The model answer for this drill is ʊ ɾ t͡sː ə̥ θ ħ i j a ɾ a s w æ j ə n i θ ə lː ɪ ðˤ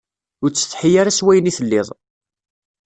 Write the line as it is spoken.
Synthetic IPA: ʊ ɾ t͡sː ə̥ θ ħ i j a ɾ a s w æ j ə n i θ ə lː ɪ ðˤ